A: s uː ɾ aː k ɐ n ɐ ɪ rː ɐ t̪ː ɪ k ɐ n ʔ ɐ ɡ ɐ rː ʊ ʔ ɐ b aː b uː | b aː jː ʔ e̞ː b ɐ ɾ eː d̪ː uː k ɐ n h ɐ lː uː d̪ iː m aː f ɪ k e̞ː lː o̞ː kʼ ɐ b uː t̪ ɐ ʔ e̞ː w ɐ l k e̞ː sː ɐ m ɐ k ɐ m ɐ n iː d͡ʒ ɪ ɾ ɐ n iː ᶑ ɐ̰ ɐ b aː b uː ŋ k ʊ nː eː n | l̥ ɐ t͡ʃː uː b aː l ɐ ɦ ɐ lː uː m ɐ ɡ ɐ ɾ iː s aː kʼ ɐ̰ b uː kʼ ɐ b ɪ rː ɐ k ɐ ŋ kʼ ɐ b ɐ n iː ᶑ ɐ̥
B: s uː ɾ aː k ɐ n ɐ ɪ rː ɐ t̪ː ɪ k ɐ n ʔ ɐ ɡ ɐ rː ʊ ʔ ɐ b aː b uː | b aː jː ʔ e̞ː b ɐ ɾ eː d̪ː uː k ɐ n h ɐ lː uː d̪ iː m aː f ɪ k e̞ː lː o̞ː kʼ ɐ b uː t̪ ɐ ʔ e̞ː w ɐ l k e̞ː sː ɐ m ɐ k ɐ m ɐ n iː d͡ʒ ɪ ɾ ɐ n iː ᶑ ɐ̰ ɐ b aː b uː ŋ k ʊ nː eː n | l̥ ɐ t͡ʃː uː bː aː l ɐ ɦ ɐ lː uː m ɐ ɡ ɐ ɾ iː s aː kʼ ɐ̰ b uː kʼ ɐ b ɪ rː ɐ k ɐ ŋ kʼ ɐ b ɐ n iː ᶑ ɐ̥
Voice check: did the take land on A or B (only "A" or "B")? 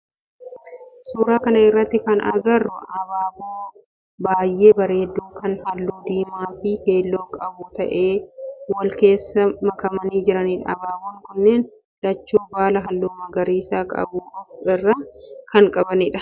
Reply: A